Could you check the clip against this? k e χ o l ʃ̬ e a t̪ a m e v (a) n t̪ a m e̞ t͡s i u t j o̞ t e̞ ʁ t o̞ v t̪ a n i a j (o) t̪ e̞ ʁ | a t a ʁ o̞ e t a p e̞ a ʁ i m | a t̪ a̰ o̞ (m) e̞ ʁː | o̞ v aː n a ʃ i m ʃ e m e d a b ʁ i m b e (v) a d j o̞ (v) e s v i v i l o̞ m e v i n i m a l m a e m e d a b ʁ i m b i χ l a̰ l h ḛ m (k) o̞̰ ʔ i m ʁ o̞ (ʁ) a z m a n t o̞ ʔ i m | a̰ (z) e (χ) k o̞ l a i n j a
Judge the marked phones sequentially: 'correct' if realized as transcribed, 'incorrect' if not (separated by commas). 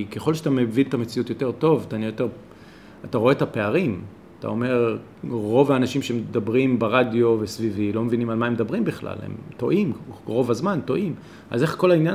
incorrect, correct, correct, incorrect, correct, incorrect, incorrect, correct, correct